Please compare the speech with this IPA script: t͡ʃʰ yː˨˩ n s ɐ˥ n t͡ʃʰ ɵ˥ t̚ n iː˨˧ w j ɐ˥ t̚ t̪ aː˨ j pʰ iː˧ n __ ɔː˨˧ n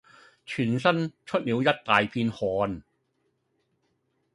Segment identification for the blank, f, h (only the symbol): h